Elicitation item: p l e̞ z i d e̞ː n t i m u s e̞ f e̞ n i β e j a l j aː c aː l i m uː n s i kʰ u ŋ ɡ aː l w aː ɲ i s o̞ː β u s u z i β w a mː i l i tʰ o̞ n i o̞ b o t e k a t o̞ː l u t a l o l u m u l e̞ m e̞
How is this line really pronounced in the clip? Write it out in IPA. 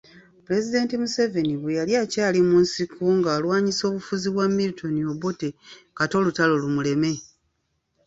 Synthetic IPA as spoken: p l e̞ z i d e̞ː n t i m u s e̞ v e̞ n i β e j a l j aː c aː l i m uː n s i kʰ u ŋ ɡ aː l w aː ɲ i s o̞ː β u f u z i β w a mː i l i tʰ o̞ n i o̞ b o t e k a t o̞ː l u t a l o l u m u l e̞ m e̞